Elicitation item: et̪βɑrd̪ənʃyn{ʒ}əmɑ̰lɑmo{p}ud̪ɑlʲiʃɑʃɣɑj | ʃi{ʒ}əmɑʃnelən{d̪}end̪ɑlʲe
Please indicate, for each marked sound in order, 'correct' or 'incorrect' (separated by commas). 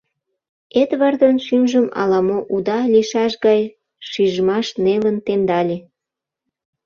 correct, incorrect, correct, incorrect